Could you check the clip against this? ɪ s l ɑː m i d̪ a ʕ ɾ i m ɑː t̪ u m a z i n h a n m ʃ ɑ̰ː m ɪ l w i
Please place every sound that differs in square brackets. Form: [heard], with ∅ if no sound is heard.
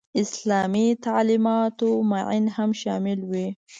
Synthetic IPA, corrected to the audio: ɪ s l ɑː m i [t̪] a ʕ [l] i m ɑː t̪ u m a [ʕ] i n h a [∅] m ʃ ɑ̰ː m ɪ l w i